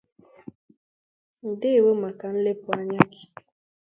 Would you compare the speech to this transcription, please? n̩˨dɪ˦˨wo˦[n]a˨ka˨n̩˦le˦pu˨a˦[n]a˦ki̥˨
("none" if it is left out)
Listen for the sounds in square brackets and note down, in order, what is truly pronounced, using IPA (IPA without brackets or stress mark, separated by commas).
m, ɲ